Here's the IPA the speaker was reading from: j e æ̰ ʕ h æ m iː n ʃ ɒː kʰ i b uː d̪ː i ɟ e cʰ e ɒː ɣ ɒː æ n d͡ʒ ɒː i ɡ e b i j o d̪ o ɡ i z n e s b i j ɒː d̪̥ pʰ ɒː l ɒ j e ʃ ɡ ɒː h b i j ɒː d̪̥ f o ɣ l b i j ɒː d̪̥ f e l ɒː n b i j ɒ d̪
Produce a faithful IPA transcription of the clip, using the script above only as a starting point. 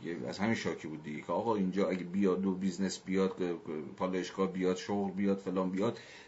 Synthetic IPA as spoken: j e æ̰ z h æ m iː n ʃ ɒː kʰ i b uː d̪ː i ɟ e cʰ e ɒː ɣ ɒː i n d͡ʒ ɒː æ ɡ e b i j ɒ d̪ o b i z n e s b i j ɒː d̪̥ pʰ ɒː l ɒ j e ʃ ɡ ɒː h b i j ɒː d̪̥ ʃ o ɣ l b i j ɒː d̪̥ f e l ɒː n b i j ɒ d̪